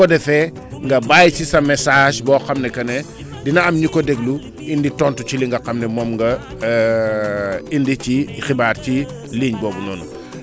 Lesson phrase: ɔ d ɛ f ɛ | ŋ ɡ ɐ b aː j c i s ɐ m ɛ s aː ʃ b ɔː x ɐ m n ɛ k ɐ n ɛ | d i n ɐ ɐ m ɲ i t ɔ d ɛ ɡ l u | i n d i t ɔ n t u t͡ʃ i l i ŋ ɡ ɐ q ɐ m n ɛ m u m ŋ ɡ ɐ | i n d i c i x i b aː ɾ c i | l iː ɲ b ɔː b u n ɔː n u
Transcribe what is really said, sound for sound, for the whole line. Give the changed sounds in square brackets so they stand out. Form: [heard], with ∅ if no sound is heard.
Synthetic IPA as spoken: ɔ d ɛ f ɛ | ŋ ɡ ɐ b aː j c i s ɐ m ɛ s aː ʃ b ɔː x ɐ m n ɛ k ɐ n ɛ | d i n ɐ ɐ m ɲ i [k] ɔ d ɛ ɡ l u | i n d i t ɔ n t u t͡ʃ i l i ŋ ɡ ɐ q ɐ m n ɛ m [ɔ] m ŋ ɡ ɐ | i n d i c i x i b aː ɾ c i | l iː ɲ b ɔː b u n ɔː n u